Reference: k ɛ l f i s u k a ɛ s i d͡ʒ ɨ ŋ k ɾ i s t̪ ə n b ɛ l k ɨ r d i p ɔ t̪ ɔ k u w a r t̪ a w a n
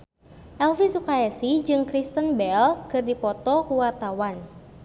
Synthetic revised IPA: ʔ ɛ l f i s u k a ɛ s i d͡ʒ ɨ ŋ k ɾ i s t̪ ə n b ɛ l k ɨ r d i p ɔ t̪ ɔ k u w a r t̪ a w a n